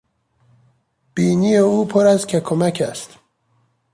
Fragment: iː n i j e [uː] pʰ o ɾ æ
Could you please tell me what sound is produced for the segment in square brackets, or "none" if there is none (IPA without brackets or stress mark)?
uː